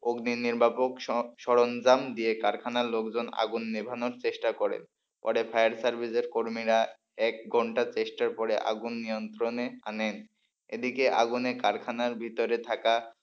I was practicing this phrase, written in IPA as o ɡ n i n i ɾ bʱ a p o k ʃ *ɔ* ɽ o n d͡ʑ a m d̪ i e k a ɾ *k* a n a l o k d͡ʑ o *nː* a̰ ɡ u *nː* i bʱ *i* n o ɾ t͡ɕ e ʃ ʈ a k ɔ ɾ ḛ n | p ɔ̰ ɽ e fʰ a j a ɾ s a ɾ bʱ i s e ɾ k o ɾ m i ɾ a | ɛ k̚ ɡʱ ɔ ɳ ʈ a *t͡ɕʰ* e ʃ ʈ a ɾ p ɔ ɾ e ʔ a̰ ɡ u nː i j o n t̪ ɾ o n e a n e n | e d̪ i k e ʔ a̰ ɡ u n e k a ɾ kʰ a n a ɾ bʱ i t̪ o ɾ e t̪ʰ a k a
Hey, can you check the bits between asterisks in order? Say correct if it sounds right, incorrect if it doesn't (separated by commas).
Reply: correct, incorrect, incorrect, correct, incorrect, incorrect